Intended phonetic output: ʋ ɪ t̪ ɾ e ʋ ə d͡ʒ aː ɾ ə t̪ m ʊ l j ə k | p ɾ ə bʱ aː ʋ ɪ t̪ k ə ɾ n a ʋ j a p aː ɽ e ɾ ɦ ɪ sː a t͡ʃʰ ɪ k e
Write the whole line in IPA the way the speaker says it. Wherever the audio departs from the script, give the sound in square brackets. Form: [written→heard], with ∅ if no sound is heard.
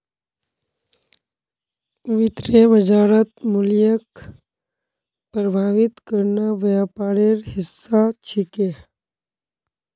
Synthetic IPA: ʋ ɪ t̪ ɾ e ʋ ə d͡ʒ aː ɾ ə t̪ m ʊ l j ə k | p ɾ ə bʱ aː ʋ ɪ t̪ k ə ɾ n a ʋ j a p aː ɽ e ɾ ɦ ɪ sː a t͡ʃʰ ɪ k e